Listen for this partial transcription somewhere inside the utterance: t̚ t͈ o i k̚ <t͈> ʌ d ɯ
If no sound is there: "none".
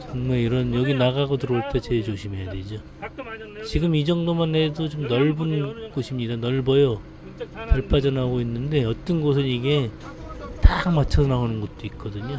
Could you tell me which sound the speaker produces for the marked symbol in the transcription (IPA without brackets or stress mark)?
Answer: k͈